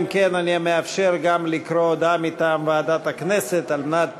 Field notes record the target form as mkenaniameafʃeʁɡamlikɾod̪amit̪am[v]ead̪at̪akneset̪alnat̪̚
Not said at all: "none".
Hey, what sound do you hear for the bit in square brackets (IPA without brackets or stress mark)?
v